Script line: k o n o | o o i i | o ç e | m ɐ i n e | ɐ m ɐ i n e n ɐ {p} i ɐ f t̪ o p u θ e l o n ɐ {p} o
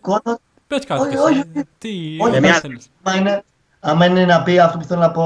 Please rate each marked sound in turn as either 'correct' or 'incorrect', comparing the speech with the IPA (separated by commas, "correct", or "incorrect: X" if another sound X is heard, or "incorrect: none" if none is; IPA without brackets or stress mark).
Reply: correct, correct